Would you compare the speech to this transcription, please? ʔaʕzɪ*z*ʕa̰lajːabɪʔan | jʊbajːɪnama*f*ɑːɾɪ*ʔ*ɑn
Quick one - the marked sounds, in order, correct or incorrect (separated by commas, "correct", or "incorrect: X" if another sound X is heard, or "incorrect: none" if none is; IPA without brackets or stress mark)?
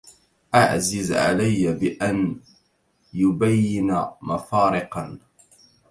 correct, correct, incorrect: q